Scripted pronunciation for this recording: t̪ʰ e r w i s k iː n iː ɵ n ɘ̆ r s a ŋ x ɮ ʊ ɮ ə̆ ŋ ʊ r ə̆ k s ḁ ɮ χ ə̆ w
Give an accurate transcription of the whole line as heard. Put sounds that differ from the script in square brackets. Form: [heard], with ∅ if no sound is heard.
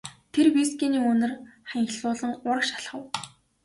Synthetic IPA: t̪ʰ e r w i s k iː n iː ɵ n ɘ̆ r [χ] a ŋ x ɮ [ʊː] ɮ ə̆ ŋ ʊ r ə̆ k [ʃ] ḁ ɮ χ ə̆ w